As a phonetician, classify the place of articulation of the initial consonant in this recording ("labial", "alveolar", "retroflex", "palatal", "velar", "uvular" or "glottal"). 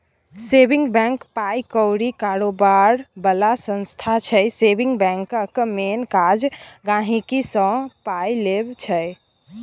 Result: alveolar